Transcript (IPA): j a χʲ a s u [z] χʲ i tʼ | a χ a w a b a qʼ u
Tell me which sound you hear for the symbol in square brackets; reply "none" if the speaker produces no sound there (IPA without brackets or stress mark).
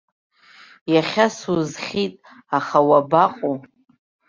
z